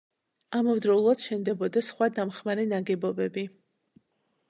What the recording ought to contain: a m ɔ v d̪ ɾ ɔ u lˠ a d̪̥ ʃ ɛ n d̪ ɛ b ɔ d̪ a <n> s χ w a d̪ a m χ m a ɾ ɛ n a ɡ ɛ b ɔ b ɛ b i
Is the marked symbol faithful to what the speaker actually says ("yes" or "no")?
no